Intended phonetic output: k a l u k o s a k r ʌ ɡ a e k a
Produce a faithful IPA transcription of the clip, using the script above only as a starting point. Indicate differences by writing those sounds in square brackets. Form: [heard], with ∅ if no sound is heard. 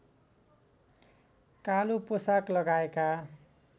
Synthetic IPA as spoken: k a l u [p] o s a k [l] ʌ ɡ a e k a

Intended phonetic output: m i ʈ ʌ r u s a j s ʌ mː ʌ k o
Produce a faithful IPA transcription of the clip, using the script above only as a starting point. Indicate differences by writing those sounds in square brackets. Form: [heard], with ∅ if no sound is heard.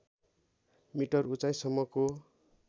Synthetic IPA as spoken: m i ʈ ʌ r u [t͡s] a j s ʌ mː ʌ k o

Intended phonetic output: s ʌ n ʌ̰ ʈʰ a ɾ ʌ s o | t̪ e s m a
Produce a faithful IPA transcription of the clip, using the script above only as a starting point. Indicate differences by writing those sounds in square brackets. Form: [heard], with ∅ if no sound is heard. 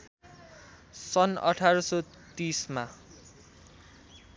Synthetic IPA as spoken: s ʌ n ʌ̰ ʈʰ a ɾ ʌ s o | t̪ [i] s m a

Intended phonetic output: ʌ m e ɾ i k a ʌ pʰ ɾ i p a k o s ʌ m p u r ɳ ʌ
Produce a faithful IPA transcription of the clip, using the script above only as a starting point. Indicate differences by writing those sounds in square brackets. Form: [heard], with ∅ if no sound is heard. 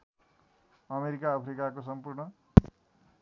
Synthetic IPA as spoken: ʌ m e ɾ i k a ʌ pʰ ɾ i [k] a k o s ʌ m p u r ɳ ʌ

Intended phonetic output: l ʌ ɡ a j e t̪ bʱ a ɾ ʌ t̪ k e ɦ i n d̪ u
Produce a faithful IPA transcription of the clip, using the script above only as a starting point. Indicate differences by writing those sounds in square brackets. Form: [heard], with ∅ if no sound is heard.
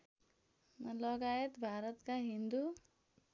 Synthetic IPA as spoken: l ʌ ɡ a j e t̪ bʱ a ɾ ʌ t̪ k [a] ɦ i n d̪ u

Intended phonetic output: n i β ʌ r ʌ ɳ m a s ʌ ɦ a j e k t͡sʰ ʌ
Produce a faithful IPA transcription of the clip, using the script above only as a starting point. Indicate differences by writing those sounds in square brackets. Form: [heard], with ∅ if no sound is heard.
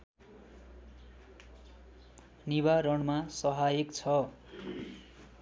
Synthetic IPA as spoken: n i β [a] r ʌ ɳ m a s ʌ ɦ a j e k t͡sʰ ʌ

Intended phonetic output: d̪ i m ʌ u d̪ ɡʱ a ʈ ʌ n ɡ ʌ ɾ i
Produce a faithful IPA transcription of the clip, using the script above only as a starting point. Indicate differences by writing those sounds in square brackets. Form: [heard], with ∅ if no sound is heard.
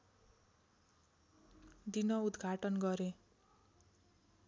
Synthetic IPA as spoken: d̪ i [n] ʌ u d̪ ɡʱ a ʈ ʌ n ɡ ʌ ɾ [e]

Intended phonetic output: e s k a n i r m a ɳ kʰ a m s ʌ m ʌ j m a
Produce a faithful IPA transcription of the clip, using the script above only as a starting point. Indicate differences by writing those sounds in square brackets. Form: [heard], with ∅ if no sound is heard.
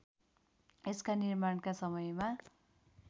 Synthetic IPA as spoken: e s k a n i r m a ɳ [k] a [∅] s ʌ m ʌ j m a

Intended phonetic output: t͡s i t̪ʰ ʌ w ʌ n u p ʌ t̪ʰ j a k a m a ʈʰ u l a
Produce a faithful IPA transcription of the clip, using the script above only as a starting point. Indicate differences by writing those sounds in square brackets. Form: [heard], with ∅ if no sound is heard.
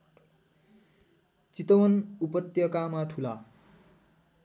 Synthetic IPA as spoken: t͡s i [t̪] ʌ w ʌ n u p ʌ [t̪] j [ʌ] k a m a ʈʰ u l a

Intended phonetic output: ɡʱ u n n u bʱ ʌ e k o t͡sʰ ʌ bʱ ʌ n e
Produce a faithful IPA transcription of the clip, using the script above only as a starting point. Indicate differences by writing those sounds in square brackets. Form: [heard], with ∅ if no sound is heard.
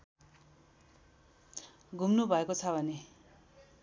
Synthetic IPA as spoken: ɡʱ u [m] n u bʱ ʌ e k o t͡sʰ ʌ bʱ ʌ n e

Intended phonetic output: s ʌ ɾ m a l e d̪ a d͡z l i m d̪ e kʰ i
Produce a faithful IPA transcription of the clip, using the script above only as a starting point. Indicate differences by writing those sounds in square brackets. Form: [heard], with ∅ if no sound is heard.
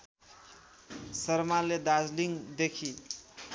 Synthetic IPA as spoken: s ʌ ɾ m a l e d̪ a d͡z l i [ŋ] d̪ e kʰ i

